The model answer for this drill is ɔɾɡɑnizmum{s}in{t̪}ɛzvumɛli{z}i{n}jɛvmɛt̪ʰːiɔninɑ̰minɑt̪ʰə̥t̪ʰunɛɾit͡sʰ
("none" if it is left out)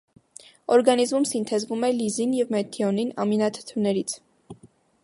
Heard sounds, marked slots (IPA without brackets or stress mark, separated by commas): s, t̪ʰ, z, n